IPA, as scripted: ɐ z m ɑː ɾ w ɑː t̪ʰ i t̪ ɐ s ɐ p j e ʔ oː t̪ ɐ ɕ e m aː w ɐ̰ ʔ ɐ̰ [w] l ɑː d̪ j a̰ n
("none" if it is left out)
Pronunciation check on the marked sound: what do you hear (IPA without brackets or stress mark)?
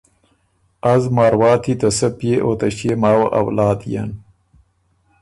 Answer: w